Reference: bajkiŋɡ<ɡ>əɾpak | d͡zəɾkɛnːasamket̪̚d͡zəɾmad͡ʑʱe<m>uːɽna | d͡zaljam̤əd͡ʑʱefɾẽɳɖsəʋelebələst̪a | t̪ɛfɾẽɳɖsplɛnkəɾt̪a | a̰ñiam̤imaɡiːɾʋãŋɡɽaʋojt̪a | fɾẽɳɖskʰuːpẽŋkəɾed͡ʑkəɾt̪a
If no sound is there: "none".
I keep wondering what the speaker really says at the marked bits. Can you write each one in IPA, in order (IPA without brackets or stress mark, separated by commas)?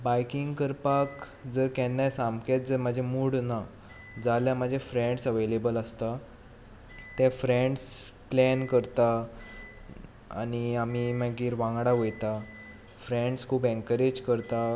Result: k, m